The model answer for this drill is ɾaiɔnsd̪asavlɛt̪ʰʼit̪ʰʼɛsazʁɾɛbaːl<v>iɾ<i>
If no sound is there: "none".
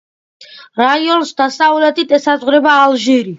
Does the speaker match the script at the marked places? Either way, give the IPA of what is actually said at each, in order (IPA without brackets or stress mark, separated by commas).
ʒ, i